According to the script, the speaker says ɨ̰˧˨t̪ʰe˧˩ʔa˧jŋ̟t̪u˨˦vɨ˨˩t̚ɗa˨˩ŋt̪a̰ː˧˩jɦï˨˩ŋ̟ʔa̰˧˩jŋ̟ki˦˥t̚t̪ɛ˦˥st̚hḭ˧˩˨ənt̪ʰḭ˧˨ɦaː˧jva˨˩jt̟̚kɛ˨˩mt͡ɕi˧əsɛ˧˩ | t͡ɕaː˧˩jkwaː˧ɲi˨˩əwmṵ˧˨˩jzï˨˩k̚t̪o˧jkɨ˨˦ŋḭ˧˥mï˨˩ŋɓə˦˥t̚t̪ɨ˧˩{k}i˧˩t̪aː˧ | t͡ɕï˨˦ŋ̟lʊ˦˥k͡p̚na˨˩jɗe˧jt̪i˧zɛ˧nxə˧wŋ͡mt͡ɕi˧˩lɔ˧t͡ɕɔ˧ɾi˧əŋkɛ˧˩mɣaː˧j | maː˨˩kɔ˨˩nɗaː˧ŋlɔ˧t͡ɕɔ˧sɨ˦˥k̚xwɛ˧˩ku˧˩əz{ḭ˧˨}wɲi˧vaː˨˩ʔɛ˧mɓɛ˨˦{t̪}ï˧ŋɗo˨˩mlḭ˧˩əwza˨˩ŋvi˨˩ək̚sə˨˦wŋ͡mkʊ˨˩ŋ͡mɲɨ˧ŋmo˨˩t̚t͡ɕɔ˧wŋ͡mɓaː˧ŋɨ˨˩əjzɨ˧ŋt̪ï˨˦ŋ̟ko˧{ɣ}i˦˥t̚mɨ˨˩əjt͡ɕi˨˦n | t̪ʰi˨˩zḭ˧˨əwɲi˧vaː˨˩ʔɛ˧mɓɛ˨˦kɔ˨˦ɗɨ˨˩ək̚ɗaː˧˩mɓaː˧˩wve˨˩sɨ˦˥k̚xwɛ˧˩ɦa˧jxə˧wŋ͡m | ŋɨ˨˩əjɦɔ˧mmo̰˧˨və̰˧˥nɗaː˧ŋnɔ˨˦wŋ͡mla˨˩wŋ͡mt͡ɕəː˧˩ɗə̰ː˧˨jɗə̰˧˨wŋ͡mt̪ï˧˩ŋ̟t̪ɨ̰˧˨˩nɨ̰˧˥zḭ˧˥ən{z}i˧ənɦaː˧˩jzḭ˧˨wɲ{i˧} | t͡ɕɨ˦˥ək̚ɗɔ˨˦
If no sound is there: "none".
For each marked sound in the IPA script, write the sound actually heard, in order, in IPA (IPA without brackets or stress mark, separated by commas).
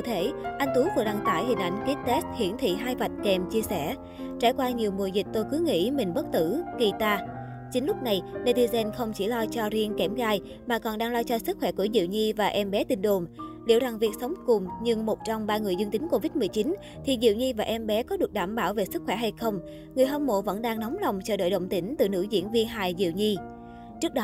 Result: k, ḭ˧˨, t̪, v, v, i˧